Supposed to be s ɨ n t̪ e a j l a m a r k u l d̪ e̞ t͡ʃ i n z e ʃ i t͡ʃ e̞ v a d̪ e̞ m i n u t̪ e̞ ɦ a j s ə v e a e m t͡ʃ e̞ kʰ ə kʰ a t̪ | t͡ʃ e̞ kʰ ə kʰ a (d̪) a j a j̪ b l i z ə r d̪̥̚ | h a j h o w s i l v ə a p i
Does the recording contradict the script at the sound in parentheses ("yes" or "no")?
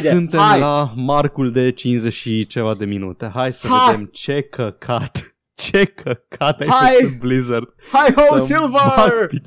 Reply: yes